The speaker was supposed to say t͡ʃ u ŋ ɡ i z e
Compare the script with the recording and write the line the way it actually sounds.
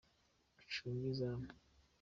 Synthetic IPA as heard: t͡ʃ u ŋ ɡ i z a

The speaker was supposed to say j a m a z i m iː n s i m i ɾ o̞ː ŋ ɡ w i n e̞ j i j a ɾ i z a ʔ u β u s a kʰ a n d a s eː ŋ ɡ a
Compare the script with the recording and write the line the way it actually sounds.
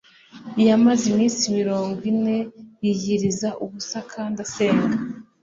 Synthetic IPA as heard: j a m a z i m iː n s i m i ɾ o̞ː ŋ ɡ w i n e̞ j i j i ɾ i z a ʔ u β u s a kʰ a n d a s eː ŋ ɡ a

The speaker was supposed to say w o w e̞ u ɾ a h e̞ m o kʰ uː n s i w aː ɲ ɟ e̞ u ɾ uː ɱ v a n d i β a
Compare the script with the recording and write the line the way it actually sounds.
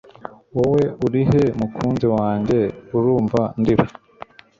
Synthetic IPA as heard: w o w e̞ u ɾ i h e̞ m u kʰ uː n z i w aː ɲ ɟ e̞ u ɾ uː ɱ v a n d i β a

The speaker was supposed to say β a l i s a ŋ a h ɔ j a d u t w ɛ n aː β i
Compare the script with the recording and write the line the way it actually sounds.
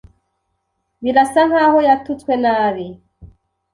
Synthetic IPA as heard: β i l a s a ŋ a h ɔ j a t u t w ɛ n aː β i

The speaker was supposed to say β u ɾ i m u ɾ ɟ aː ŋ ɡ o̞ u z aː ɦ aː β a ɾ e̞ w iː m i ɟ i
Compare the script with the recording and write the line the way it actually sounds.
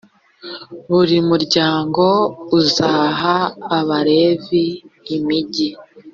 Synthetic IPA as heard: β u ɾ i m u ɾ ɟ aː ŋ ɡ o̞ u z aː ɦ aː β a ɾ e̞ v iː m i ɟ i

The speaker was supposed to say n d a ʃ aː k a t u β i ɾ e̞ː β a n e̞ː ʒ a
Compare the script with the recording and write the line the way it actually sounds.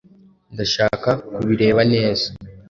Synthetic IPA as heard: n d a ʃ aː k a k u β i ɾ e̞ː β a n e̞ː z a

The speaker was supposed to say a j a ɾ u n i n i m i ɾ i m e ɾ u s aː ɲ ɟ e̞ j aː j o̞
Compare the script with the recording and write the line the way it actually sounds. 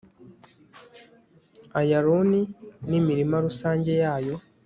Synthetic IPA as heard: a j a ɾ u n i n i m i ɾ i m a ɾ u s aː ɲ ɟ e̞ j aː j o̞

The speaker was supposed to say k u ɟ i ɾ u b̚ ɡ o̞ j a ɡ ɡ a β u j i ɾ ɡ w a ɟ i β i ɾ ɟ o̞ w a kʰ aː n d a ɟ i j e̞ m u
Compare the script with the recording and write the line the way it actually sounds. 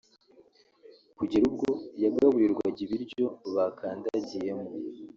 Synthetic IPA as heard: k u ɟ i ɾ u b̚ ɡ o̞ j a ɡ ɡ a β u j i ɾ ɡ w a ɟ i β i ɾ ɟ o̞ β a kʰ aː n d a ɟ i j e̞ m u

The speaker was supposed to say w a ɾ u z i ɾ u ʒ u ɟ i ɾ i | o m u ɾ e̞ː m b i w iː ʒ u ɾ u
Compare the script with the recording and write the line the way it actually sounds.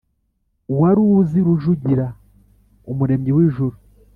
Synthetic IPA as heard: w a ɾ u z i ɾ u ʒ u ɟ i ɾ a | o m u ɾ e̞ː m ɟ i w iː ʒ u ɾ u

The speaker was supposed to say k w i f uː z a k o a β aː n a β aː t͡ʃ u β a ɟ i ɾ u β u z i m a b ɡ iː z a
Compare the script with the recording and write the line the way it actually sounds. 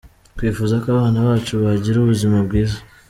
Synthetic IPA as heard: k w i f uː z a k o a β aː n a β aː t͡ʃ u β a ɟ i ɾ u β u z i m a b ɡ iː z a

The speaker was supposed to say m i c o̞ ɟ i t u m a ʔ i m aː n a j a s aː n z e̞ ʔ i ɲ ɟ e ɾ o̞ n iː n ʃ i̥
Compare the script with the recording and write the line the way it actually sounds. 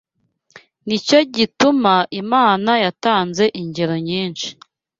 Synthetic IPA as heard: n i c o̞ ɟ i t u m a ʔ i m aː n a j a t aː n z e̞ ʔ i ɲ ɟ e ɾ o̞ ɲ iː n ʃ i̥

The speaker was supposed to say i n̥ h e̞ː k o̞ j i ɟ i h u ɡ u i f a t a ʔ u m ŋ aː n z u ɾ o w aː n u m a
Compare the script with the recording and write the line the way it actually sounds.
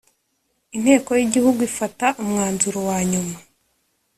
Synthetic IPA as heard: i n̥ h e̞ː k o̞ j i ɟ i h u ɡ u i f a t a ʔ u m ŋ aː n z u ɾ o w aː ɲ u m a

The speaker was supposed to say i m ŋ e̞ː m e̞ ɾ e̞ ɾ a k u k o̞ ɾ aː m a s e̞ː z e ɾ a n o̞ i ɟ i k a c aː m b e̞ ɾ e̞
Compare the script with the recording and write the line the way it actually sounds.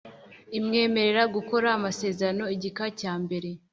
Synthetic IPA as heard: i m ŋ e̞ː m e̞ ɾ e̞ ɾ a ɡ u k o̞ ɾ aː m a s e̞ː z e ɾ a n o̞ i ɟ i k a c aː m b e̞ ɾ e̞

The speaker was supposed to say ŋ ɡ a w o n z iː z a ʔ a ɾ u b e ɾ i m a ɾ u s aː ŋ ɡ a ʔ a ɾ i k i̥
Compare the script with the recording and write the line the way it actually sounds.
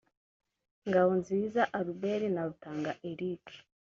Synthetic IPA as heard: ŋ ɡ a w o n z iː z a ʔ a ɾ u b e ɾ i n a ɾ u t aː ŋ ɡ a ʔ e ɾ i k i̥

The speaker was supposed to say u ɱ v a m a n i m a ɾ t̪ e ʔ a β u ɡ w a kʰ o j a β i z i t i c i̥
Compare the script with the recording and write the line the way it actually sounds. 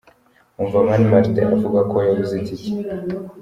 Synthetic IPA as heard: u ɱ v a m a n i m a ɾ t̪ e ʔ a v u ɡ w a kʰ o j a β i z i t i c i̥

